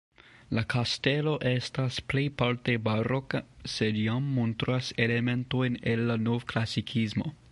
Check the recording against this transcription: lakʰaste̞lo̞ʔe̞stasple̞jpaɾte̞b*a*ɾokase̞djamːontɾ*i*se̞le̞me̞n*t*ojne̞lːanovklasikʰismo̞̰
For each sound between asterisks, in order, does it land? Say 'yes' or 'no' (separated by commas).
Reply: yes, no, yes